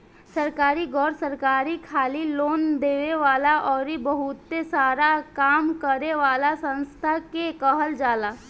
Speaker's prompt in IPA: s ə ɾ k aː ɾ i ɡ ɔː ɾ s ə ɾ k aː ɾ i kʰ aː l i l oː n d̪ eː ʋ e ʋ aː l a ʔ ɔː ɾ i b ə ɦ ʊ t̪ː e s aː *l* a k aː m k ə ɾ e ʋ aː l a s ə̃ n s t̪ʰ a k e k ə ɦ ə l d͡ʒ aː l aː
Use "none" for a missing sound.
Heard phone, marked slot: ɾ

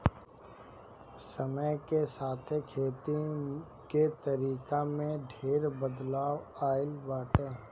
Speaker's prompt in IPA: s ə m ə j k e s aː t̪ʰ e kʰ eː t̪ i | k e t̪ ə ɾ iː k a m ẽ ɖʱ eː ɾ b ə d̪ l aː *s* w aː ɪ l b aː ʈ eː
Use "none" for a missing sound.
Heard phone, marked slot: none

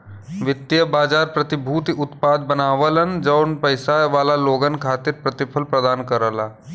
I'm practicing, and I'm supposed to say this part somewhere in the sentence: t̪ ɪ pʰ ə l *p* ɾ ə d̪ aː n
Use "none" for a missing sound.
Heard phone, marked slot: p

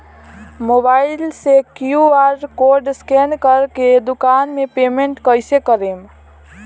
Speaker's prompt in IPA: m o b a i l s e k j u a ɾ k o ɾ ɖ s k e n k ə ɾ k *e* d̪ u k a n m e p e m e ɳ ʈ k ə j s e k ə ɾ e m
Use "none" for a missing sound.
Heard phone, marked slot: e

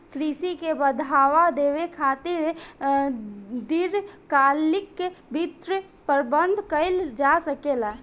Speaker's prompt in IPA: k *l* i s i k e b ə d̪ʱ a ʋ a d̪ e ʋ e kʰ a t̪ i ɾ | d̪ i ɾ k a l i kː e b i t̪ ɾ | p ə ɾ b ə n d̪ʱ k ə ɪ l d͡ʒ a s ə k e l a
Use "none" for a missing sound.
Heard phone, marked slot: ɾ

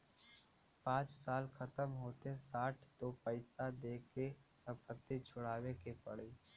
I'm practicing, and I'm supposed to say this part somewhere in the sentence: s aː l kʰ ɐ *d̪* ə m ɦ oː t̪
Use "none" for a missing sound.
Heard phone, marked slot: t̪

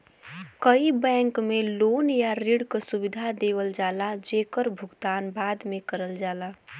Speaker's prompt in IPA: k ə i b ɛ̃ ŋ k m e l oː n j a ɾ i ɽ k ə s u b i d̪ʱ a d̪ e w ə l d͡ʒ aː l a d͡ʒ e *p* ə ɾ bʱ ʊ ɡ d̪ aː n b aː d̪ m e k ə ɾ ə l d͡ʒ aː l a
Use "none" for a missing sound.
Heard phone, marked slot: k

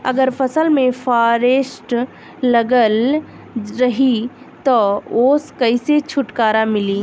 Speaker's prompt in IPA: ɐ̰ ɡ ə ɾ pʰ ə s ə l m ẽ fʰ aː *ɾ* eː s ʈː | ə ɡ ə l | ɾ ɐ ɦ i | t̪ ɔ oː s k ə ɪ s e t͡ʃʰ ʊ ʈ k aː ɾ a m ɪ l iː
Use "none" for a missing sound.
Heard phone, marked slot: ɾ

